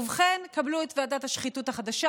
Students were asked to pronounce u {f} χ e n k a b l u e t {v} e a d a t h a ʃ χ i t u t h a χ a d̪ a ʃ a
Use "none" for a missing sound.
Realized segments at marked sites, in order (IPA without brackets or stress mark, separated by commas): v, v